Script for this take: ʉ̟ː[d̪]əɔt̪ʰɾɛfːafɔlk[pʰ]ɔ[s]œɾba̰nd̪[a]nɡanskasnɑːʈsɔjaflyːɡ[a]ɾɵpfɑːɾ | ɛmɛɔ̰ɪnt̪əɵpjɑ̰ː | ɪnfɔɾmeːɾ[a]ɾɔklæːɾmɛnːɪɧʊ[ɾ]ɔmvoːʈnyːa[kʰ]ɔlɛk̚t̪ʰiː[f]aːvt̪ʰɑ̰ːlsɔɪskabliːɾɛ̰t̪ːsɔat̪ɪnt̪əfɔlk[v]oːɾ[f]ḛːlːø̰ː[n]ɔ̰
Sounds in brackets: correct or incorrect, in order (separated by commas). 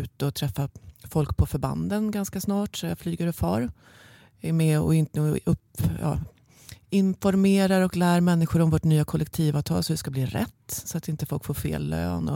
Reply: incorrect, correct, incorrect, incorrect, incorrect, correct, correct, correct, incorrect, incorrect, correct, correct